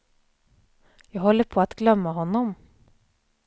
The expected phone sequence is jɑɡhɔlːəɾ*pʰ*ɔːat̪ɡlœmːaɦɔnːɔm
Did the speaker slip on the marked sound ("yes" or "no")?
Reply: no